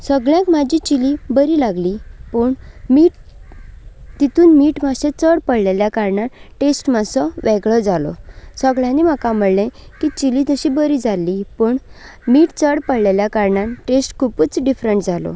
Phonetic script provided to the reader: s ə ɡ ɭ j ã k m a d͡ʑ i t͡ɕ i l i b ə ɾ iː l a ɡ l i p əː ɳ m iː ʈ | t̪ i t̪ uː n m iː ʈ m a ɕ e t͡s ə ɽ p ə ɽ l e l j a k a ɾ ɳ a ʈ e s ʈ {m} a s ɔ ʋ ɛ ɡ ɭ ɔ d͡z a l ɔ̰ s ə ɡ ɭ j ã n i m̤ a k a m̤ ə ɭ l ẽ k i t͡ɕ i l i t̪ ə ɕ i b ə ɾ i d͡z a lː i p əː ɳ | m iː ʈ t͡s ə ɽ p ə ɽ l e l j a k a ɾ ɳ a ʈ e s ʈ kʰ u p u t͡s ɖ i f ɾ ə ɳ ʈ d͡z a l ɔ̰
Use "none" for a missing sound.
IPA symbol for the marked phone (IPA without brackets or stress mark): m